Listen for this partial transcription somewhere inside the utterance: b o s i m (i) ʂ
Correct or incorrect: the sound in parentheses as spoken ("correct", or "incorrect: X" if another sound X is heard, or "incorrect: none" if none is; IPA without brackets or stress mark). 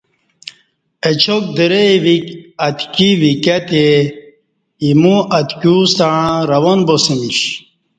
correct